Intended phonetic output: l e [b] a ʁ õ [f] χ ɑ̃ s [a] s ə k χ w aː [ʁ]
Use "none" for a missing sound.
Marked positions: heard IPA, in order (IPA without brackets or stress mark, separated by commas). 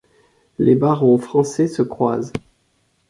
b, f, ɛ, z